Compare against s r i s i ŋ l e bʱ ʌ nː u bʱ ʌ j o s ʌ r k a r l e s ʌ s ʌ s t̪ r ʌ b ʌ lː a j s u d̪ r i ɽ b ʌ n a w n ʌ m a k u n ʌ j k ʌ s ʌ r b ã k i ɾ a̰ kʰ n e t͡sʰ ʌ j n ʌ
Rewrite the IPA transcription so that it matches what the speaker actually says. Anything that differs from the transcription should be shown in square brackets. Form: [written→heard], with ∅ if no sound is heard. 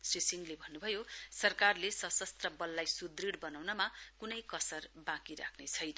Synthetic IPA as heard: s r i s i ŋ l e bʱ ʌ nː u bʱ ʌ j o s ʌ r k a r l e s ʌ s ʌ s t̪ r ʌ b ʌ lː a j s u d̪ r i ɽ b ʌ n a w n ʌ m a k u n ʌ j k ʌ s ʌ r b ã k i ɾ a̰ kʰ n e t͡sʰ ʌ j n ʌ

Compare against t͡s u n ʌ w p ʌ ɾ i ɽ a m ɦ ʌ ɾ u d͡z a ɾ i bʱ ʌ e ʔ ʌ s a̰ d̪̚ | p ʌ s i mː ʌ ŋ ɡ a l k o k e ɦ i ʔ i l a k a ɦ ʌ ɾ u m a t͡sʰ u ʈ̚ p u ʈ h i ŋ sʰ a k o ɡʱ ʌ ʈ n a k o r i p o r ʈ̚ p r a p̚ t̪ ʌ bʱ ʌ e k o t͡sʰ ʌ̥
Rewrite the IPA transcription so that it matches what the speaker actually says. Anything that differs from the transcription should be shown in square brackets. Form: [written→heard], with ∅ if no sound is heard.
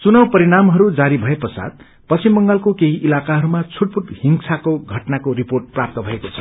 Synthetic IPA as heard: t͡s u n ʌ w p ʌ ɾ i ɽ a m ɦ ʌ ɾ u d͡z a ɾ i bʱ ʌ e [ʔ→p] ʌ s a̰ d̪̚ | p ʌ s i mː ʌ ŋ ɡ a l k o k e ɦ i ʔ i l a k a ɦ ʌ ɾ u m a t͡sʰ u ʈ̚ p u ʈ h i ŋ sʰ a k o ɡʱ ʌ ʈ n a k o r i p o r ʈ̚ p r a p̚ t̪ ʌ bʱ ʌ e k o t͡sʰ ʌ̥

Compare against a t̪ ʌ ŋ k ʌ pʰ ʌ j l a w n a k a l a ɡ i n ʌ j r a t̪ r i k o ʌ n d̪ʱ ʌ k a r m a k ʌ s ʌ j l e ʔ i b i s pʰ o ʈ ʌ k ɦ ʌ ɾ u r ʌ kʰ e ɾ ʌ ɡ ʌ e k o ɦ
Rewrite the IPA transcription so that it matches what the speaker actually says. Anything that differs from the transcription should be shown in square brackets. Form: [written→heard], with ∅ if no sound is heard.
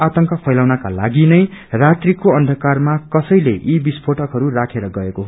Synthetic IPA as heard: a t̪ ʌ ŋ k ʌ pʰ ʌ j l a w n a k a l a ɡ i n ʌ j r a t̪ r i k o ʌ n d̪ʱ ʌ k a r m a k ʌ s ʌ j l e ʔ i b i s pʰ o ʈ ʌ k ɦ ʌ ɾ u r [ʌ→a] kʰ e ɾ ʌ ɡ ʌ e k o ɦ

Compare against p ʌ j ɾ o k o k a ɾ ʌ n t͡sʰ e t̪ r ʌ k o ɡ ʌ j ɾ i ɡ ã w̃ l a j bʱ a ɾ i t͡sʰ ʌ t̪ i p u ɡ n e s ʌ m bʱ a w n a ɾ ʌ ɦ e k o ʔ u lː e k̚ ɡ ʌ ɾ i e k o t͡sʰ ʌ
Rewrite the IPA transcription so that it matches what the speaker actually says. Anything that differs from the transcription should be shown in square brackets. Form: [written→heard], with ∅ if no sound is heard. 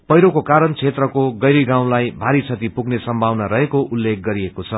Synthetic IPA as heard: p ʌ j ɾ o k o k a ɾ ʌ n t͡sʰ e t̪ r ʌ k o ɡ ʌ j ɾ i ɡ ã w̃ l a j bʱ a ɾ i t͡sʰ ʌ t̪ i p u ɡ n e s ʌ m bʱ a w n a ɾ ʌ ɦ e k o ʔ u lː e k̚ ɡ ʌ ɾ i e k o t͡sʰ ʌ

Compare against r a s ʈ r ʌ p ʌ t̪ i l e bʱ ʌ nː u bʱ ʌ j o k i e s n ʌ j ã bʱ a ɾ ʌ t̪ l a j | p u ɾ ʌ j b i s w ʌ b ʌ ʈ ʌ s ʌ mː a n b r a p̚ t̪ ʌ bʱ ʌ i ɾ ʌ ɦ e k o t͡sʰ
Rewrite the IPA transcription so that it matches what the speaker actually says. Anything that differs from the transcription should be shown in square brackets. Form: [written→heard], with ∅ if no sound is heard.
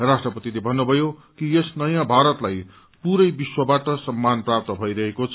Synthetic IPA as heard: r a s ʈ r ʌ p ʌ t̪ i l e bʱ ʌ nː u bʱ ʌ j o k i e s n ʌ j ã bʱ a ɾ ʌ t̪ l a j | p u ɾ ʌ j b i s w ʌ b [ʌ→a] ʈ ʌ s ʌ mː a n [b→p] r a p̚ t̪ ʌ bʱ ʌ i ɾ ʌ ɦ e k o t͡sʰ

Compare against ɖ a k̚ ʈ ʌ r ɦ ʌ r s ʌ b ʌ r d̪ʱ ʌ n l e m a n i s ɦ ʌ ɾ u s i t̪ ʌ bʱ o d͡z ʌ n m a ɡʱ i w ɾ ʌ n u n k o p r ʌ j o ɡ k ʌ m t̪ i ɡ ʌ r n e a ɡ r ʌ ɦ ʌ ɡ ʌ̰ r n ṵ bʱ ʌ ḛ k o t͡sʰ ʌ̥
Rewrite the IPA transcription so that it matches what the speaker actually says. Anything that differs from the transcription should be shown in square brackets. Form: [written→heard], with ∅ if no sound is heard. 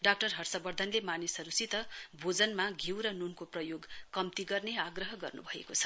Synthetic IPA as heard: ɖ a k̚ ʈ ʌ r ɦ ʌ r s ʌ b ʌ r d̪ʱ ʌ n l e m a n i s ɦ ʌ ɾ u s i t̪ ʌ bʱ o d͡z ʌ n m a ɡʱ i w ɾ ʌ n u n k o p r ʌ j o ɡ k ʌ m t̪ i ɡ ʌ r n e a ɡ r ʌ ɦ ʌ ɡ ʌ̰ r n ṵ bʱ ʌ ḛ k o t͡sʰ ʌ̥

